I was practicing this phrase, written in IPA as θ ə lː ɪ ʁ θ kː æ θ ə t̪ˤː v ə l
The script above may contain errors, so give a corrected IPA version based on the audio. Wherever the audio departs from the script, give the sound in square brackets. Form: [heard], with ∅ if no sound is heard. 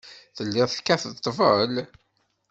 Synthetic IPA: θ ə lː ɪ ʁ θ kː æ θ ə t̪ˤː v ə l

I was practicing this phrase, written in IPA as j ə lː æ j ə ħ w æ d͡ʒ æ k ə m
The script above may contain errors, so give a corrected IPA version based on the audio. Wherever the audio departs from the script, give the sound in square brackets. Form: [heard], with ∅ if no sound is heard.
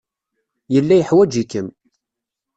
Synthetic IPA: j ə lː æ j ə ħ w æ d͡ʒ [i] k ə m

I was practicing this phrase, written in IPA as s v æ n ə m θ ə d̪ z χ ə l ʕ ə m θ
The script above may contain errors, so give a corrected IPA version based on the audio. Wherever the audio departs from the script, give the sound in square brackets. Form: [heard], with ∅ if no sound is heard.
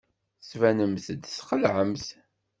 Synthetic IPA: s v æ n ə m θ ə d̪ [s] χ ə l ʕ ə m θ

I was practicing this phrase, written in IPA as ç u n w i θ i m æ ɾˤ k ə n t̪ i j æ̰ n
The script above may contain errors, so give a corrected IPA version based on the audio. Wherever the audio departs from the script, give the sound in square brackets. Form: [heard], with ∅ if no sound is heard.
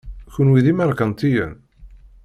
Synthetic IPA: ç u n w i [ð] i m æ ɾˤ k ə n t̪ i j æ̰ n

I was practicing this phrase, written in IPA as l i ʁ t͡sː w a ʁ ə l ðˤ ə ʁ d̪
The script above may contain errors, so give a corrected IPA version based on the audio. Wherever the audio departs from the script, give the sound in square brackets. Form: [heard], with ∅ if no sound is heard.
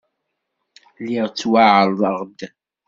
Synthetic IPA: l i ʁ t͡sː w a [ʕ] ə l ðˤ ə ʁ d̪

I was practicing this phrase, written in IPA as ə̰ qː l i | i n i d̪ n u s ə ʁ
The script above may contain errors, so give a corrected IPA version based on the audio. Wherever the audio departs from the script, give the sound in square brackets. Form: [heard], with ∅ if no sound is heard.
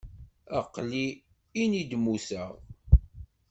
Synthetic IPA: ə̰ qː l i | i n i d̪ [m] u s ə ʁ

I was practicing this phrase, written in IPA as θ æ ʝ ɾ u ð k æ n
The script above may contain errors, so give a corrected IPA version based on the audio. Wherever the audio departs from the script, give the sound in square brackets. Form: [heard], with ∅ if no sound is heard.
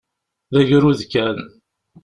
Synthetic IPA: [ð] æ ʝ ɾ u ð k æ n

